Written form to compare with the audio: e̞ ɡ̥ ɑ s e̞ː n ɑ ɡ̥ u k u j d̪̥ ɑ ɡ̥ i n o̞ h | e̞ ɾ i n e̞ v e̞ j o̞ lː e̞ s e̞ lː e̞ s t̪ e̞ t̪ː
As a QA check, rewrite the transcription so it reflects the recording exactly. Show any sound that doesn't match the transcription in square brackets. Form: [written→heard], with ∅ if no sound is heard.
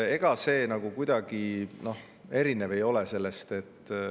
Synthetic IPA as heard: e̞ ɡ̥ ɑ s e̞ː n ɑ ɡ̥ u k u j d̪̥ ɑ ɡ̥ i n o̞ h | e̞ ɾ i n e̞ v e̞ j o̞ [lː→l] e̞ s e̞ lː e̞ s t̪ e̞ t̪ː